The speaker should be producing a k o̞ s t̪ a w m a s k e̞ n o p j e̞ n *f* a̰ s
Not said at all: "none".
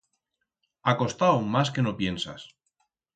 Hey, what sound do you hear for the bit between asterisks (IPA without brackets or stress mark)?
s